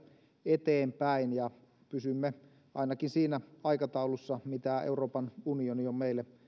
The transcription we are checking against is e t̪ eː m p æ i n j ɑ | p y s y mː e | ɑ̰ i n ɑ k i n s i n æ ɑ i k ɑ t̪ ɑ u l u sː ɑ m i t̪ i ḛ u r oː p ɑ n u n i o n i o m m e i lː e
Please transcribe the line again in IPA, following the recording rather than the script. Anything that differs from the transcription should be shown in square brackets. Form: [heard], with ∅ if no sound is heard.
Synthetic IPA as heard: e t̪ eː m p æ i n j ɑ | p y s y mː e | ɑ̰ i n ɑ k i n s [iː] n æ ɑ i k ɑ t̪ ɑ u l u sː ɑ m i t̪ [æ] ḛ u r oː p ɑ n u n i o n i o m m e i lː e